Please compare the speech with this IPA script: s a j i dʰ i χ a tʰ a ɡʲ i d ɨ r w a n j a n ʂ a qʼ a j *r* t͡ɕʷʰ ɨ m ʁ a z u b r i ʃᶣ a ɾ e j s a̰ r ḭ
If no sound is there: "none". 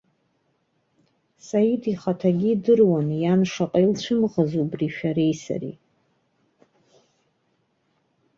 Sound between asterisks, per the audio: l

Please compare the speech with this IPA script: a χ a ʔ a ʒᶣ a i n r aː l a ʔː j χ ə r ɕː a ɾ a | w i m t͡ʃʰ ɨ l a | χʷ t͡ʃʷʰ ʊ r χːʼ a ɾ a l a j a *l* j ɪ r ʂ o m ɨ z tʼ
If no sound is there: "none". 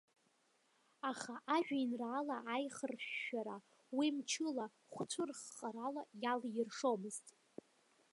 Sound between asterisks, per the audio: l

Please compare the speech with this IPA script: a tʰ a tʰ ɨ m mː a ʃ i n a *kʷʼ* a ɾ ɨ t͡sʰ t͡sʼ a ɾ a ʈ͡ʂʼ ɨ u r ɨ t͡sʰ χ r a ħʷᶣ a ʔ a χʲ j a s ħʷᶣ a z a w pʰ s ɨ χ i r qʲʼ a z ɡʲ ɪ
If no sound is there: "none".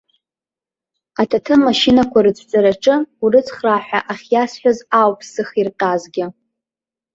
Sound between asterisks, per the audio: kʷ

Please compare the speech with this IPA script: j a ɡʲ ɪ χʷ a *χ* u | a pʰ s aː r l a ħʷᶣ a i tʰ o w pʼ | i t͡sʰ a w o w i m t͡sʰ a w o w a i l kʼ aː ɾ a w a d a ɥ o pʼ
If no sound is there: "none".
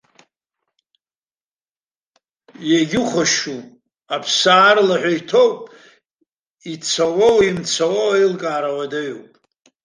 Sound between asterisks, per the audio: ʃ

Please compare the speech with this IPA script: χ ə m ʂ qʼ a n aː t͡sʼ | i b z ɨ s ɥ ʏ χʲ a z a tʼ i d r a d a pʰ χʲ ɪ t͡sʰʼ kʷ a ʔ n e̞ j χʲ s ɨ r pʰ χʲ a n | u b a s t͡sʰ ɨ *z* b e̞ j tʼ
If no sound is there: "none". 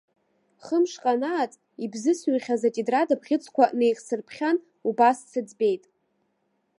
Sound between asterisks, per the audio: d͡z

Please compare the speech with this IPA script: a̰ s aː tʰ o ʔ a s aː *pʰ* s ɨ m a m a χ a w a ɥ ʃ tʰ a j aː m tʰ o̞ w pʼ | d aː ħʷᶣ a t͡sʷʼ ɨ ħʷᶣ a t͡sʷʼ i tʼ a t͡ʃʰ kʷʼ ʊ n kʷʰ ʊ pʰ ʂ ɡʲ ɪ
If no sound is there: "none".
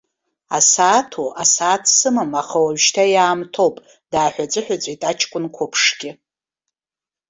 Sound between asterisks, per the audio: tʰ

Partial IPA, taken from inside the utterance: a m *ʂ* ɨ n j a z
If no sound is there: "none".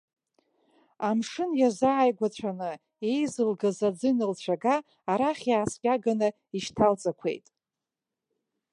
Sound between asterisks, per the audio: ʂ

